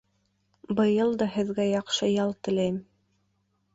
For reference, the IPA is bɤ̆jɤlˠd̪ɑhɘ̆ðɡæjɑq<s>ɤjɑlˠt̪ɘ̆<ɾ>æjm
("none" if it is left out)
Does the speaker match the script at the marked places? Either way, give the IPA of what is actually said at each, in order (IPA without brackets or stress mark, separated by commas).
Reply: ʃ, l